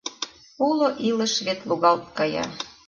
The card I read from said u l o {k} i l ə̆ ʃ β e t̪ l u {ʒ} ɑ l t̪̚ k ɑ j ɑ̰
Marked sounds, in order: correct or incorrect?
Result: incorrect: ʔ, incorrect: ɣ

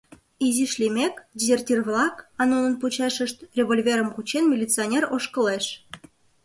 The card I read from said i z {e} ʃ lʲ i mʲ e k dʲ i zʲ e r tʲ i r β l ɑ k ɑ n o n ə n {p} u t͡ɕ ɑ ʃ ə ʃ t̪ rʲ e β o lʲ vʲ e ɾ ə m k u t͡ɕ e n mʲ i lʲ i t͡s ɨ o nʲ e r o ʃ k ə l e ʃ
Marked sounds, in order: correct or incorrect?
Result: incorrect: i, correct

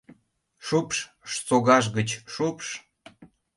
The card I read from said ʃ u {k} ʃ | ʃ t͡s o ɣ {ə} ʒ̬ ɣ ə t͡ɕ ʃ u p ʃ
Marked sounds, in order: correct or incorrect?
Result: incorrect: p, incorrect: ɑ

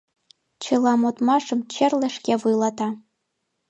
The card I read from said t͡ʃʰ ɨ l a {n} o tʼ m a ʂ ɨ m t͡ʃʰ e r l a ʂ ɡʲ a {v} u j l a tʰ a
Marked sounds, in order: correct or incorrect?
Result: incorrect: m, correct

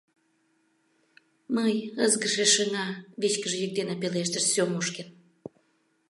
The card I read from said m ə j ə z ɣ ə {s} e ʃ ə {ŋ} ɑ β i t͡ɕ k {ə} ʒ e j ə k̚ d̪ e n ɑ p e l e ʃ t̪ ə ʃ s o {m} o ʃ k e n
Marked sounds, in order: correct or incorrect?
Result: incorrect: ʃ, correct, correct, correct

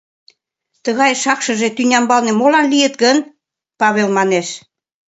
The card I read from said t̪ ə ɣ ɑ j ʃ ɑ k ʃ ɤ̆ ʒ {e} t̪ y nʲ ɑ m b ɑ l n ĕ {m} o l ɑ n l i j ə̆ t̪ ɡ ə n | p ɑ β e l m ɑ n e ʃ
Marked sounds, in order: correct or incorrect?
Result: correct, correct

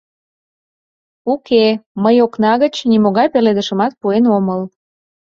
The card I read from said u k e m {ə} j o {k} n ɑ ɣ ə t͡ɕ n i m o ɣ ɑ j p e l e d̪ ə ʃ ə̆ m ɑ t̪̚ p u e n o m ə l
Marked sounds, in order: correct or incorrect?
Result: correct, correct

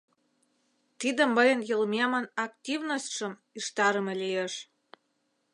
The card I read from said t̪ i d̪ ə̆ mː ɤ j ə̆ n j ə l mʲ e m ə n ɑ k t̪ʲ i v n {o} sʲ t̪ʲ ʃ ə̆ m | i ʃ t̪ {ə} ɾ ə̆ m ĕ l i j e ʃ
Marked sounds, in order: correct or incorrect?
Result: correct, incorrect: ɑ

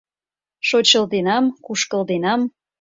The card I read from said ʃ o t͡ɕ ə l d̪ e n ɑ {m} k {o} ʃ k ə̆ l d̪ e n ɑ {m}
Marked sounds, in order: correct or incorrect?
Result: correct, incorrect: u, correct

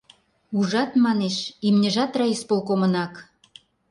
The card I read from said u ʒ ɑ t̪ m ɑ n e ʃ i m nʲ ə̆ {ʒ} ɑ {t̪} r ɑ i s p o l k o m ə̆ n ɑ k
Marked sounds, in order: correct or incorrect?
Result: correct, correct

